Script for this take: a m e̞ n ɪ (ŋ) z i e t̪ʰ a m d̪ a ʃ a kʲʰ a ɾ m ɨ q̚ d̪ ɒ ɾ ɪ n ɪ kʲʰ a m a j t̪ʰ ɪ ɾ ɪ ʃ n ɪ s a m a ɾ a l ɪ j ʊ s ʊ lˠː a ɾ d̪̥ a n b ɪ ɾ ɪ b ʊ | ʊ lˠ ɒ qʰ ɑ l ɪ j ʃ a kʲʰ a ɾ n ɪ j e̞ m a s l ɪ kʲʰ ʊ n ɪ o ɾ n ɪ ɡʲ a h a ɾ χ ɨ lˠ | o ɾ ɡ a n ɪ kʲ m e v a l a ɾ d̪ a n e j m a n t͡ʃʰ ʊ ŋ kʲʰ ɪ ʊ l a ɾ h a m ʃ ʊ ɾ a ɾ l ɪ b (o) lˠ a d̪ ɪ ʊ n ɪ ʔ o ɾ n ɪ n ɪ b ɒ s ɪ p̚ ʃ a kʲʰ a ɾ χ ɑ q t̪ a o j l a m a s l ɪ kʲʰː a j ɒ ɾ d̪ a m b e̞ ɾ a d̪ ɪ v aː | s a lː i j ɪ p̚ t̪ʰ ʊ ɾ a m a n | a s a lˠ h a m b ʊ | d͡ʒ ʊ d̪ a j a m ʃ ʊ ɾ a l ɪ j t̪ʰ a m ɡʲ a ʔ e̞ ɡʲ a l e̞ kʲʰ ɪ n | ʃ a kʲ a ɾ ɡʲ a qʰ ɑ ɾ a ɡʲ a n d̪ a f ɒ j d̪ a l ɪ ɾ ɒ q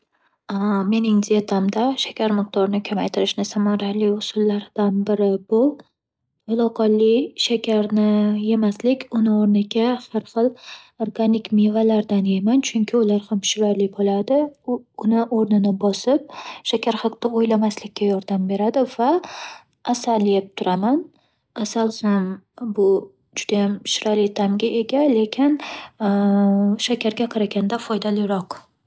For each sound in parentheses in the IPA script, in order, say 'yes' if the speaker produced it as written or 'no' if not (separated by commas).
yes, yes